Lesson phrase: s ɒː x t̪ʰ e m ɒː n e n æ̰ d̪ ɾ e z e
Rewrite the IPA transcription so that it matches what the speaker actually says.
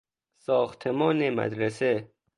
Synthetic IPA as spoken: s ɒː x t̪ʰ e m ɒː n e m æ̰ d̪ ɾ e s e